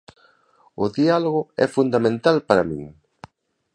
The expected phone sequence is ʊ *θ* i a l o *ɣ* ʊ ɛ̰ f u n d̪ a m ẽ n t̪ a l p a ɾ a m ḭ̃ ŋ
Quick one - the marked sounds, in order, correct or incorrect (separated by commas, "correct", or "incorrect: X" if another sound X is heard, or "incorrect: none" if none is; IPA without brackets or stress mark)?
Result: incorrect: ð, correct